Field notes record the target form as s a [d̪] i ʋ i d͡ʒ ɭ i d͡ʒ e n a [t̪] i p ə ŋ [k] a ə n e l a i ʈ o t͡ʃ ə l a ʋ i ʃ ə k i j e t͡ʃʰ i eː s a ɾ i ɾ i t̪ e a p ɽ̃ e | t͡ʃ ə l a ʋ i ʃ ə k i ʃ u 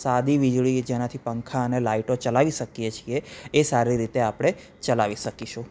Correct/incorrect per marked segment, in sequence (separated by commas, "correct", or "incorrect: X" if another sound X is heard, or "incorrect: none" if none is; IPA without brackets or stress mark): correct, incorrect: t̪ʰ, incorrect: kʰ